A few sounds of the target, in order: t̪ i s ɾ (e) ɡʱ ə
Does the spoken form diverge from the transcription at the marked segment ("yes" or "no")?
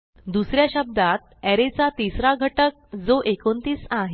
yes